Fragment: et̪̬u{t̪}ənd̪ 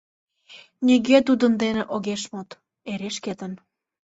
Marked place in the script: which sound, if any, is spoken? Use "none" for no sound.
d̪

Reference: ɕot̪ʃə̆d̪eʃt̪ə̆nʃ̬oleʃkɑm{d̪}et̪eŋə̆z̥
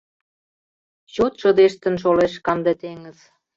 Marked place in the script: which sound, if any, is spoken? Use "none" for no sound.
d̪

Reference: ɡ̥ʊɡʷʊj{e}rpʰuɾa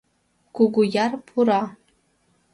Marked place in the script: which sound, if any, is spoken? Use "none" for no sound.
a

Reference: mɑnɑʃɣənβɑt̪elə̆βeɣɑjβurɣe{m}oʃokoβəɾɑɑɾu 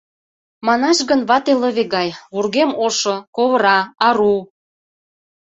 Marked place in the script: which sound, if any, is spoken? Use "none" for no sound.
m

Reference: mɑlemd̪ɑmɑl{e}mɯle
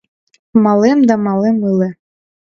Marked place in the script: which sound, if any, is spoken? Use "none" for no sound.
e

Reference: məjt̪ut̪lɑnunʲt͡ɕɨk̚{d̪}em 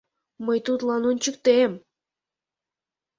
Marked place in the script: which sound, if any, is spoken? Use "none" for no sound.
t̪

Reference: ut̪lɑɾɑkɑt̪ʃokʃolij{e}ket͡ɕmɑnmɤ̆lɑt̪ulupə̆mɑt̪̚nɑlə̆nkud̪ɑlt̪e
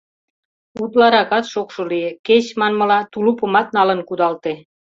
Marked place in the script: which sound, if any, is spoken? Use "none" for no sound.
e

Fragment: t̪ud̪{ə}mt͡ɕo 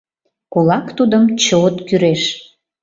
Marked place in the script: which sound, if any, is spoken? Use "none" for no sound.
ə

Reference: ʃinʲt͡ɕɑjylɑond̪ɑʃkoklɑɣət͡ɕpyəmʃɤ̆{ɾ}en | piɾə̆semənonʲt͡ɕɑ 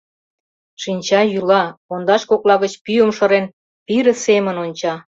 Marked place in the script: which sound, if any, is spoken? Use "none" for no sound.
ɾ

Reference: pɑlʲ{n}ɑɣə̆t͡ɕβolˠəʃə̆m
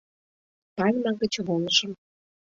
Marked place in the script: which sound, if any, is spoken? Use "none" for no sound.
m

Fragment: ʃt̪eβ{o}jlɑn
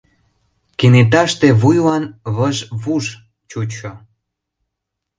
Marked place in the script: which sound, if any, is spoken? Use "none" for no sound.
u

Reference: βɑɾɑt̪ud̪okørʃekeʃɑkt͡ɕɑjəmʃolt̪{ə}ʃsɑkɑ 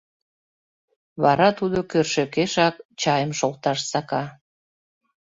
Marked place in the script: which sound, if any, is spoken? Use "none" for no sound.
ɑ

